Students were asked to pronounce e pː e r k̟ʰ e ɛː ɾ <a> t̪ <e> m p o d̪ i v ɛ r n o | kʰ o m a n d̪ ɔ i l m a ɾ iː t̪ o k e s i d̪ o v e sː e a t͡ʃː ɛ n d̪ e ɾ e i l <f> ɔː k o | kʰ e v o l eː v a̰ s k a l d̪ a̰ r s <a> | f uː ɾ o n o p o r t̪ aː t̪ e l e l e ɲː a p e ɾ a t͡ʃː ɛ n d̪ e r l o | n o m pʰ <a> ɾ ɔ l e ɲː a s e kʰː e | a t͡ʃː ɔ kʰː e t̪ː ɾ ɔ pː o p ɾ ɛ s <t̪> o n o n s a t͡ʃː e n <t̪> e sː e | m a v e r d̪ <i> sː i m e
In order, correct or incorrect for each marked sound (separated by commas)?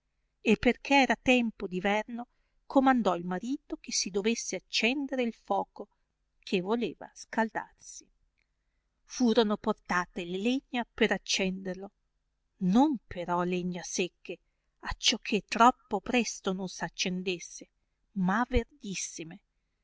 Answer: correct, incorrect, correct, incorrect, incorrect, correct, incorrect, correct